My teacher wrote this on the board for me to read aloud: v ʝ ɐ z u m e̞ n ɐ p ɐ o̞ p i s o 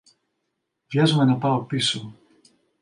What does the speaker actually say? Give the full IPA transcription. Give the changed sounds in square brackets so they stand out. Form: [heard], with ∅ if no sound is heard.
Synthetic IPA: v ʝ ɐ z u m e̞ n ɐ p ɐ o̞ p i s o